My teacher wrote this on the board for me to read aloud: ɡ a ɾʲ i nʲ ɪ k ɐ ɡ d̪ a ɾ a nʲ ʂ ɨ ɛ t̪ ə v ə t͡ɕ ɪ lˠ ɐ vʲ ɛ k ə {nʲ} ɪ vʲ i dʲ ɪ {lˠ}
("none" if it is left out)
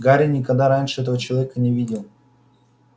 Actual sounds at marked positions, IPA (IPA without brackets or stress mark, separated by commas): nʲ, lˠ